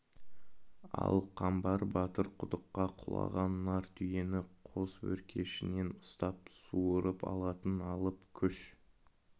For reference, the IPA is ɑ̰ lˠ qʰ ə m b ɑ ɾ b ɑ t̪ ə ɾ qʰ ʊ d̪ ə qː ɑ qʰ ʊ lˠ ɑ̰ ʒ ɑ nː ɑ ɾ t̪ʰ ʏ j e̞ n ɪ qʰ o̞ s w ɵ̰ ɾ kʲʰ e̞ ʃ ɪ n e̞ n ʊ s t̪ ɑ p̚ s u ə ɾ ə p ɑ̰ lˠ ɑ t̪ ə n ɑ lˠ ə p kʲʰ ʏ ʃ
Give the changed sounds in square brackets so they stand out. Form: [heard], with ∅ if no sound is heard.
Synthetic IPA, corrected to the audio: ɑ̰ lˠ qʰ [ɑ] m b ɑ ɾ b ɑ t̪ ə ɾ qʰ ʊ d̪ ə qː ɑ qʰ ʊ lˠ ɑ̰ [ʁ] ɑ nː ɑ ɾ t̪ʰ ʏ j e̞ n ɪ qʰ o̞ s w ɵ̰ ɾ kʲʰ e̞ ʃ ɪ n e̞ n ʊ s t̪ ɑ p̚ s u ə ɾ ə p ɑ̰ lˠ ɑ t̪ ə n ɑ lˠ ə p kʲʰ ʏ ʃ

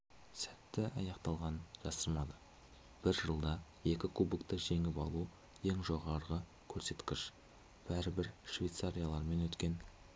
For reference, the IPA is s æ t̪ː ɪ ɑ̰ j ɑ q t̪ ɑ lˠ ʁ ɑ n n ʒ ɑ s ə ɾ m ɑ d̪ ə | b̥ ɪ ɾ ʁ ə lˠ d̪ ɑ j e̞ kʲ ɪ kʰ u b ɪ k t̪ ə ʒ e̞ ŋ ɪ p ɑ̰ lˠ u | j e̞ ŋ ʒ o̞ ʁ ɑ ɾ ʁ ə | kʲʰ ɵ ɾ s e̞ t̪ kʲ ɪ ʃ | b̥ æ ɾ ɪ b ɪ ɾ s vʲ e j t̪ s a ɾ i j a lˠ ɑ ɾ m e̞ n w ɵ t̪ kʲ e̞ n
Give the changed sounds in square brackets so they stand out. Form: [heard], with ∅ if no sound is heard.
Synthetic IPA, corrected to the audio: s æ t̪ː ɪ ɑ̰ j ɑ q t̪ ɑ lˠ ʁ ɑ n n ʒ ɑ s ə ɾ m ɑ d̪ ə | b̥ ɪ ɾ [ʒ] ə lˠ d̪ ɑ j e̞ kʲ ɪ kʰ u b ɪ k t̪ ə ʒ e̞ ŋ ɪ p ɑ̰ lˠ u | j e̞ ŋ ʒ o̞ ʁ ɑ ɾ ʁ ə | kʲʰ ɵ ɾ s e̞ t̪ kʲ ɪ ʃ | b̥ æ ɾ ɪ b ɪ ɾ [ʃ] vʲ e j t̪ s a ɾ i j a lˠ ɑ ɾ m e̞ n w ɵ t̪ kʲ e̞ n

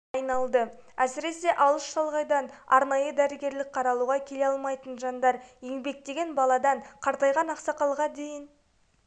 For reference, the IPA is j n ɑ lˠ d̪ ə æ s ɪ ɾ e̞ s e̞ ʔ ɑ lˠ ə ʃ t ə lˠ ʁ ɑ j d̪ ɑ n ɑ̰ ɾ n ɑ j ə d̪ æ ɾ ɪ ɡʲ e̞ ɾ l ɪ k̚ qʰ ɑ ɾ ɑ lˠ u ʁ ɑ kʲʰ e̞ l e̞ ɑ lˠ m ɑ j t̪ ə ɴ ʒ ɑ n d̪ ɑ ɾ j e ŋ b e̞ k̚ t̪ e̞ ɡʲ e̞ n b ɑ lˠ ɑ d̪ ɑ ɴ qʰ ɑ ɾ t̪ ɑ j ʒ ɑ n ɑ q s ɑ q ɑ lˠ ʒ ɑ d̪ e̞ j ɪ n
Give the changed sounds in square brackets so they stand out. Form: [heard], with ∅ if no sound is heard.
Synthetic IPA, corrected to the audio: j n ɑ lˠ d̪ ə æ s ɪ ɾ e̞ s e̞ ʔ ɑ lˠ ə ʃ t [ɑ] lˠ ʁ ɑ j d̪ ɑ n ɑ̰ ɾ n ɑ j ə d̪ æ ɾ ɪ ɡʲ e̞ ɾ l ɪ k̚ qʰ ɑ ɾ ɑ lˠ u ʁ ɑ kʲʰ e̞ l e̞ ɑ lˠ m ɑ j t̪ ə [n] ʒ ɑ n d̪ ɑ ɾ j e ŋ b e̞ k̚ t̪ e̞ ɡʲ e̞ n b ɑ lˠ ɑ d̪ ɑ ɴ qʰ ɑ ɾ t̪ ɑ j [ʁ] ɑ n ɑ q s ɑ q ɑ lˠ [ʁ] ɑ d̪ e̞ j ɪ n

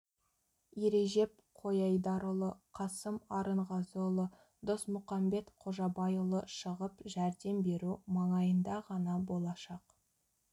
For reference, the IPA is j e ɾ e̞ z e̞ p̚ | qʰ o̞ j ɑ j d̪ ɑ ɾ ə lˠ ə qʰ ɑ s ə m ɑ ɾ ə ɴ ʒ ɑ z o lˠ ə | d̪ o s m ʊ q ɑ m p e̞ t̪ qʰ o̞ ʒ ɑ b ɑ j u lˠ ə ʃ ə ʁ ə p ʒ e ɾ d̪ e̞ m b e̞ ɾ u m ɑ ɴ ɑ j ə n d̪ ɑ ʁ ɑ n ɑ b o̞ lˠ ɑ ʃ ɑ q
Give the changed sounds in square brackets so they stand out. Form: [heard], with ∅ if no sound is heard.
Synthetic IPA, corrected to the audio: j e ɾ e̞ [ʒ] e̞ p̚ | qʰ o̞ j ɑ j d̪ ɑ ɾ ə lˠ ə qʰ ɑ s ə m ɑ ɾ ə ɴ [ʁ] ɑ z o lˠ ə | d̪ o s m ʊ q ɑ m [b] e̞ t̪ qʰ o̞ ʒ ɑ b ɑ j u lˠ ə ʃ ə ʁ ə p ʒ [æ] ɾ d̪ e̞ m b e̞ ɾ u m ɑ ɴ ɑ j ə n d̪ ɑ ʁ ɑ n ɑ b o̞ lˠ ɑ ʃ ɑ q

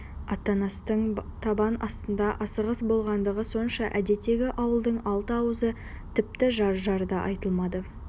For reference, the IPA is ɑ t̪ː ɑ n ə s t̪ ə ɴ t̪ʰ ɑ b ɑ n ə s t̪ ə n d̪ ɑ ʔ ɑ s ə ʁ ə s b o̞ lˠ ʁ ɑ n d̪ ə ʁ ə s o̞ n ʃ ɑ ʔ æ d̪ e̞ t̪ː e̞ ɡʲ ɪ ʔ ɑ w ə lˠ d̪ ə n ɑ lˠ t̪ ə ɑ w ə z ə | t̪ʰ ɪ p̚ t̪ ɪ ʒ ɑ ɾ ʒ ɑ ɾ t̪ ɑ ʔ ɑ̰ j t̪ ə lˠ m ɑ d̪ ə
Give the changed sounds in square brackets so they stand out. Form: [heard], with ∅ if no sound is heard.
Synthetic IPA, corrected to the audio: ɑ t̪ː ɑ n [ɑ] s t̪ ə ɴ t̪ʰ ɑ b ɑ n [ɑ] s t̪ ə n d̪ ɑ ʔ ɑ s ə ʁ ə s b o̞ lˠ ʁ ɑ n d̪ ə ʁ ə s o̞ n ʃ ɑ ʔ æ d̪ e̞ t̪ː e̞ ɡʲ ɪ ʔ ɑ w ə lˠ d̪ ə [ɴ] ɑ lˠ t̪ ə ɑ w ə z ə | t̪ʰ ɪ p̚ t̪ ɪ ʒ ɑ ɾ ʒ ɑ ɾ [d̪] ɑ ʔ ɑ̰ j t̪ ə lˠ m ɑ d̪ ə

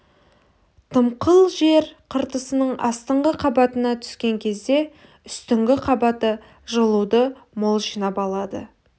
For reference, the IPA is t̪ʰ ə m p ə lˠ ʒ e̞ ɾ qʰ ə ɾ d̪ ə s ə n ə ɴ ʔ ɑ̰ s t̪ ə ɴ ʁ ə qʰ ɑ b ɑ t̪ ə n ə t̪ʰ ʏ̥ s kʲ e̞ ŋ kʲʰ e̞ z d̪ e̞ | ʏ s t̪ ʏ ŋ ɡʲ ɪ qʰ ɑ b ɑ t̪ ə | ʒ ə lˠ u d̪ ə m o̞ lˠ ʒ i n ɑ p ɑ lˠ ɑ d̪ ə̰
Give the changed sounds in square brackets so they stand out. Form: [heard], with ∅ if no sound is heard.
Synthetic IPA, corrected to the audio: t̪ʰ ə m [q] ə lˠ ʒ e̞ ɾ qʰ ə ɾ [t̪] ə s ə n ə ɴ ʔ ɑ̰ s t̪ ə ɴ ʁ ə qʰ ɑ b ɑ t̪ ə n [ɑ] t̪ʰ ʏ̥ s kʲ e̞ ŋ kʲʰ e̞ z d̪ e̞ | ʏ s t̪ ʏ ŋ ɡʲ ɪ qʰ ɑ b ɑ t̪ ə | ʒ ə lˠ u d̪ ə m o̞ lˠ ʒ i n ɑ p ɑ lˠ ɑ d̪ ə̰

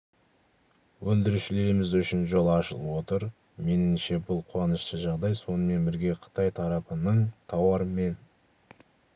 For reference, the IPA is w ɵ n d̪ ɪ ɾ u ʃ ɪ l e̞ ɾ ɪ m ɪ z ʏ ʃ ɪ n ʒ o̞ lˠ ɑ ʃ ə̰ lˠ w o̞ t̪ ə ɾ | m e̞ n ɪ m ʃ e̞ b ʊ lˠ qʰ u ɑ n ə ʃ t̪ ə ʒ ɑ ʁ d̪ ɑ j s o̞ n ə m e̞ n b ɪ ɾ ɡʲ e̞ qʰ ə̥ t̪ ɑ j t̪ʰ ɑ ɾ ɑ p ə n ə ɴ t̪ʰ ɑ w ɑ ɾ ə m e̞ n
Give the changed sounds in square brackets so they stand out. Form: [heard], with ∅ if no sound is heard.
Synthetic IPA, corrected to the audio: w ɵ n d̪ ɪ ɾ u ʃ ɪ l e̞ ɾ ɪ m ɪ z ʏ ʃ ɪ n ʒ o̞ lˠ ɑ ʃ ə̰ lˠ w o̞ t̪ ə ɾ | m e̞ n ɪ m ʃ e̞ b ʊ lˠ qʰ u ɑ n ə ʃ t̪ ə ʒ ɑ ʁ d̪ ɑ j s o̞ n ə m e̞ n b ɪ ɾ ɡʲ e̞ qʰ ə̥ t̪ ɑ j t̪ʰ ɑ ɾ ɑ p ə n ə ɴ t̪ʰ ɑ w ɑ ɾ ə m e̞ n

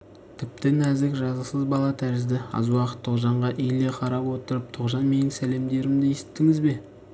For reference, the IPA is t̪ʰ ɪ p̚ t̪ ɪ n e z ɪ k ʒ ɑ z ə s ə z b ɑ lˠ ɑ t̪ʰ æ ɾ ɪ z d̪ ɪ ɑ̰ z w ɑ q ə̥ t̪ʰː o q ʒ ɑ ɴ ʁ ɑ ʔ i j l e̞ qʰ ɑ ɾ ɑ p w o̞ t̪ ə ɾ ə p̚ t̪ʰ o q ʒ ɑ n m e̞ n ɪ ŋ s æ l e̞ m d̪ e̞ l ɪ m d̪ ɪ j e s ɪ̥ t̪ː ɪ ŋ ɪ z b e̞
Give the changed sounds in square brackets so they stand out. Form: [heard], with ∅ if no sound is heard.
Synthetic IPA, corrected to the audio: t̪ʰ ɪ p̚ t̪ ɪ n [æ] z ɪ k ʒ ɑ z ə s ə z b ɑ lˠ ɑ t̪ʰ æ ɾ ɪ z d̪ ɪ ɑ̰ z w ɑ q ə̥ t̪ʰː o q ʒ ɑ ɴ ʁ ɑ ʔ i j l e̞ qʰ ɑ ɾ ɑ p w o̞ t̪ ə ɾ ə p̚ t̪ʰ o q ʒ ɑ n m e̞ n ɪ ŋ s æ l e̞ m d̪ e̞ [ɾ] ɪ m d̪ ɪ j e s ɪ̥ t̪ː ɪ ŋ ɪ z b e̞

